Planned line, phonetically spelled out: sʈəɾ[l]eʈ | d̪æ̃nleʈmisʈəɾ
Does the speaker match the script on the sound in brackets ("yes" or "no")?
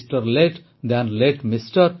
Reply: yes